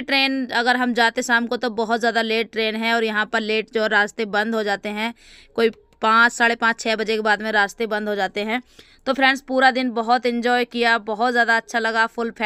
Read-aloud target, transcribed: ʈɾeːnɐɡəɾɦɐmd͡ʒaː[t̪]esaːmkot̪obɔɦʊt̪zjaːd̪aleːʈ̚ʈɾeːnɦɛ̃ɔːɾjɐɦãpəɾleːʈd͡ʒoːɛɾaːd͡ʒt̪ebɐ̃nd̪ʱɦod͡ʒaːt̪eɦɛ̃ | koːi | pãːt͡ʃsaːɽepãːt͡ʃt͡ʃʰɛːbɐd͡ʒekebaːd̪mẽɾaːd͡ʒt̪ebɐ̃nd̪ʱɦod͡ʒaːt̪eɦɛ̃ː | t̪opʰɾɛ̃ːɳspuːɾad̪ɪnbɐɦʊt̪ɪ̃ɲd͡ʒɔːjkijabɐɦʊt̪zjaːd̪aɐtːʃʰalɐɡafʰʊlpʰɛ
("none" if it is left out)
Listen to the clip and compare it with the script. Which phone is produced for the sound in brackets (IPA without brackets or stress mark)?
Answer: t̪